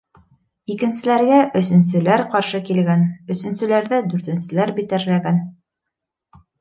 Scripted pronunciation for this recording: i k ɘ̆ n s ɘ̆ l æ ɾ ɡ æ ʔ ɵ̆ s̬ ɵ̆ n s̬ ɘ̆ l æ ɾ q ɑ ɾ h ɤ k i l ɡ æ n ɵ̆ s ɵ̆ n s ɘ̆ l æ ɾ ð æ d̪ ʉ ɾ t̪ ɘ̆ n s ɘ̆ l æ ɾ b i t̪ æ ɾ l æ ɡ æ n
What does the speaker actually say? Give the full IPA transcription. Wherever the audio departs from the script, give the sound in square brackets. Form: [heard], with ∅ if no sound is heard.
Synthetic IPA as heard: i k ɘ̆ n s ɘ̆ l æ ɾ ɡ æ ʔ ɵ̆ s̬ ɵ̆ n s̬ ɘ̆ l æ ɾ q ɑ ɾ [ʃ] ɤ k i l ɡ æ n ɵ̆ s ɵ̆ n s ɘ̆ l æ ɾ ð æ d̪ ʉ ɾ t̪ ɘ̆ n s ɘ̆ l æ ɾ b i t̪ æ ɾ l æ ɡ æ n